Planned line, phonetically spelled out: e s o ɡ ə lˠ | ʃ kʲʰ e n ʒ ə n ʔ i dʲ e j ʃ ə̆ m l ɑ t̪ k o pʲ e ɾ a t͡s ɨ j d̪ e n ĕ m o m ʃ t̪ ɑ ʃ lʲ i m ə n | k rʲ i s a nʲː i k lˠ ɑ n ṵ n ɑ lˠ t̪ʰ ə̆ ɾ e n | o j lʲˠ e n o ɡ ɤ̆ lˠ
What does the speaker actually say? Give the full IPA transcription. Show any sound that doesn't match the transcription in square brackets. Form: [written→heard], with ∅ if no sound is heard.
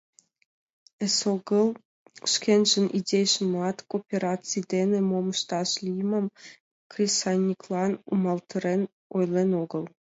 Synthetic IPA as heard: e s o ɡ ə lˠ | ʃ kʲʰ e n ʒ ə n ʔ i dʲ e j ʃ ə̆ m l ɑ t̪ k o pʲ e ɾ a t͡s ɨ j d̪ e n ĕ m o m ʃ t̪ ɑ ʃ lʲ i m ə [n→m] | k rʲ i s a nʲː i k lˠ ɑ n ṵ [n→m] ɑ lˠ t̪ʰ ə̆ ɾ e n | o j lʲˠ e n o ɡ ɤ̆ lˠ